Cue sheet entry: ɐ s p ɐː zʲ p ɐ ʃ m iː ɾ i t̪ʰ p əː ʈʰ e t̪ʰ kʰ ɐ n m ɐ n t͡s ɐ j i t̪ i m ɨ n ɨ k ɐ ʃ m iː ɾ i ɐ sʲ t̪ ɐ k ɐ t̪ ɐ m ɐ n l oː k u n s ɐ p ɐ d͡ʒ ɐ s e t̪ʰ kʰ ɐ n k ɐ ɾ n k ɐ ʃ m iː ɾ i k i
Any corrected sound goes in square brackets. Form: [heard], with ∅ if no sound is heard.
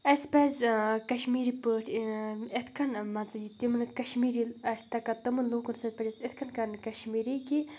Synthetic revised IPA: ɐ s p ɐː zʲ [k] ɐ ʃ m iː ɾ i [∅] p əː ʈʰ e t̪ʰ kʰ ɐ n m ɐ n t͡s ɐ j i t̪ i m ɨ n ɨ k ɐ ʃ m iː ɾ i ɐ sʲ t̪ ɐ k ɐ t̪ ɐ m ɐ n l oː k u n s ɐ p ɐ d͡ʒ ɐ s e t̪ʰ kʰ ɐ n k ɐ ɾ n k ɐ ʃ m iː ɾ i k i